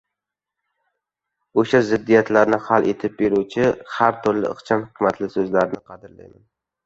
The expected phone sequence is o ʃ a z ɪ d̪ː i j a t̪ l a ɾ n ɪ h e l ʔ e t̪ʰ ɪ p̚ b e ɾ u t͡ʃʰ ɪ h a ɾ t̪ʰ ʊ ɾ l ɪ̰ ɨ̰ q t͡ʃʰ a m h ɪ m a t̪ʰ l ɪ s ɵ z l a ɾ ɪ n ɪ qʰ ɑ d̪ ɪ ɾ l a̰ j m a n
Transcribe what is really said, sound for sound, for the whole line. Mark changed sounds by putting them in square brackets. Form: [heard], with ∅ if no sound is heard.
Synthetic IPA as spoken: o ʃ a z ɪ d̪ː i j a t̪ l a ɾ n ɪ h [a] l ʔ e t̪ʰ ɪ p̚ b e ɾ u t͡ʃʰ ɪ h a ɾ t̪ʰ ʊ ɾ l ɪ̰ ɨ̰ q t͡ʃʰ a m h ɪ m a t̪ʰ l ɪ s ɵ z l a ɾ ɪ n ɪ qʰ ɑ d̪ ɪ ɾ l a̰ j m a n